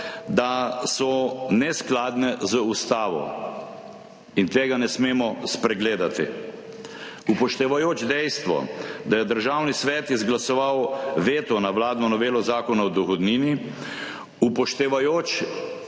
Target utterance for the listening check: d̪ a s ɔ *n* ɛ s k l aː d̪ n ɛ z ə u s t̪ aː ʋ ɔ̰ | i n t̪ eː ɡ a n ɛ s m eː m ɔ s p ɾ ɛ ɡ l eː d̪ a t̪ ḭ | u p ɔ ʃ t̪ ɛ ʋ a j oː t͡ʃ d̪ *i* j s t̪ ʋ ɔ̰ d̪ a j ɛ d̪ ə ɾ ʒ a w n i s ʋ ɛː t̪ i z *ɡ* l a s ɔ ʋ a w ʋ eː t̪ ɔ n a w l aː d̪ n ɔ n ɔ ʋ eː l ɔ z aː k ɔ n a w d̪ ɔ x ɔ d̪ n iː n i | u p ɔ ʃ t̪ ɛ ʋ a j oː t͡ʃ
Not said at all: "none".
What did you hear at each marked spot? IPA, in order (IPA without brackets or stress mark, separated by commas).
n, ɛ, ɡ